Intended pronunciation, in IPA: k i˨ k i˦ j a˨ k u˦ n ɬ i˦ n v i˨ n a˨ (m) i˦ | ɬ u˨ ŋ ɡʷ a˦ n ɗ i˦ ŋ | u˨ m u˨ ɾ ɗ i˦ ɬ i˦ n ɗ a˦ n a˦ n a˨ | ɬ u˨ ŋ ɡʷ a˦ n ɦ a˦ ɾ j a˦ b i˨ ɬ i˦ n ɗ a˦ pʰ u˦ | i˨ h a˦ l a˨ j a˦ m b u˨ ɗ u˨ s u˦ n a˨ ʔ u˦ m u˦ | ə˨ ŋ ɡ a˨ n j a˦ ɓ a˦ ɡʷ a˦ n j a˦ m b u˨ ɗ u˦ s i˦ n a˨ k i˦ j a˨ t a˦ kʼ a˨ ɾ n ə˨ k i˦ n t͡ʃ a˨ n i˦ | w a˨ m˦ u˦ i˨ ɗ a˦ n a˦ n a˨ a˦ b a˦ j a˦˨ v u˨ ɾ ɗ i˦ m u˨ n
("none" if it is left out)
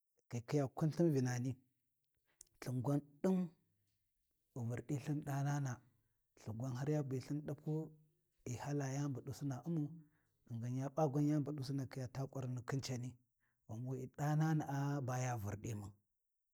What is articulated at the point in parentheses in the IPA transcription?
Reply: n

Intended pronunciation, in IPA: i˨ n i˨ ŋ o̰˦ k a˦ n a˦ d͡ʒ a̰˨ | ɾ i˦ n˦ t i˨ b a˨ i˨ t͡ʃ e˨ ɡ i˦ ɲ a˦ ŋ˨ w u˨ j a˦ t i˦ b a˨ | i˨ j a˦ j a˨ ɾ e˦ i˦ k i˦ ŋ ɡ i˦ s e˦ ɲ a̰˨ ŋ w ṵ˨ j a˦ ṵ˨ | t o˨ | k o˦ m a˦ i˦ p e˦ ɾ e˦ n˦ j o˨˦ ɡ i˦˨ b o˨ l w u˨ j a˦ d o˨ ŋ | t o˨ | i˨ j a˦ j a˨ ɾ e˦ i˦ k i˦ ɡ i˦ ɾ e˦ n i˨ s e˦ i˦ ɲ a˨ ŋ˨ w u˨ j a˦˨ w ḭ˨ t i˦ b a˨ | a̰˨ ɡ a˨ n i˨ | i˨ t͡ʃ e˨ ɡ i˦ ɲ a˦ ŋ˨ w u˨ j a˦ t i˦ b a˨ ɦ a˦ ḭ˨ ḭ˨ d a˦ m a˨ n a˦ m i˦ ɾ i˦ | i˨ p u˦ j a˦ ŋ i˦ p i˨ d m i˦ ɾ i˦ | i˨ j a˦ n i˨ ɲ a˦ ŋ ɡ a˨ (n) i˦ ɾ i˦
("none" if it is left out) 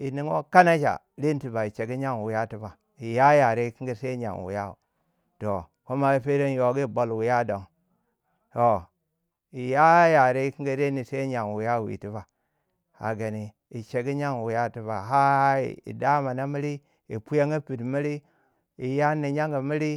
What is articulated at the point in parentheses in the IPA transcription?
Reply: m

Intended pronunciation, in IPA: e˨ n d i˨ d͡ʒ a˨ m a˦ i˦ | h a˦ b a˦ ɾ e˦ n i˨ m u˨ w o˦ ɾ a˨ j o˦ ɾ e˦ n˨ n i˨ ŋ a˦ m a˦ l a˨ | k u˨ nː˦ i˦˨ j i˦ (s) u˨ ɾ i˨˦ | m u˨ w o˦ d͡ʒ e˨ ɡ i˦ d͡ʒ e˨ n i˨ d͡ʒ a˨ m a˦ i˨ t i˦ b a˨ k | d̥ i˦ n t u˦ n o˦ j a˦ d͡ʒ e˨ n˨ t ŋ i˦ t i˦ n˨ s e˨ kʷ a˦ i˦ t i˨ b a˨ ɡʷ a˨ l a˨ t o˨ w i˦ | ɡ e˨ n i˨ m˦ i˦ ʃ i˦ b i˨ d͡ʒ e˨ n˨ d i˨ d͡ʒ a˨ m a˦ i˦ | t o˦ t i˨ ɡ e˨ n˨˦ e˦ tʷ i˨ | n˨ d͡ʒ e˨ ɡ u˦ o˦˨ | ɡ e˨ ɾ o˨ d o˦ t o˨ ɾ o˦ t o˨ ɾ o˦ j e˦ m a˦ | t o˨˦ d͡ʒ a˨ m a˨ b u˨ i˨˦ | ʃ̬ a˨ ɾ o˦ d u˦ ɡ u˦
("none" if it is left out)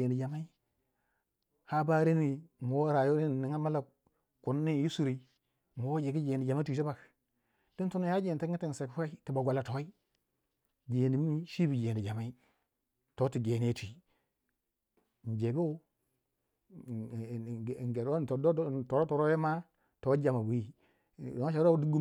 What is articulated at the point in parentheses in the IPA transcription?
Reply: s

